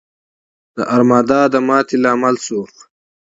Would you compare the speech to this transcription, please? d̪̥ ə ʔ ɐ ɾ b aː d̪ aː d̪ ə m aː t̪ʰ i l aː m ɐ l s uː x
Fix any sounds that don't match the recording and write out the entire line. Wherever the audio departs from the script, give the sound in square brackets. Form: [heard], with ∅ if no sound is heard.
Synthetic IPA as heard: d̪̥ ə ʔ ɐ ɾ [m] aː d̪ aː d̪ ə m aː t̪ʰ i l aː m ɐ l s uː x